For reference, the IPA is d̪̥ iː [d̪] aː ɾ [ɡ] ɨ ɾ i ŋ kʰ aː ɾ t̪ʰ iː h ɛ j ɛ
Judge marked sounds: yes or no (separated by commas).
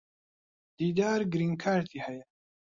yes, yes